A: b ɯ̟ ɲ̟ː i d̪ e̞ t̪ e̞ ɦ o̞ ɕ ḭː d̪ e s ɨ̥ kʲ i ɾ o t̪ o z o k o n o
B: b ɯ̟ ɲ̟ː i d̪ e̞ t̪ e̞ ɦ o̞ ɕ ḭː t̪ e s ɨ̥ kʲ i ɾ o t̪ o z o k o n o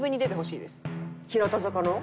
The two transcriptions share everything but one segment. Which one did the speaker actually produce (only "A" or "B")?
A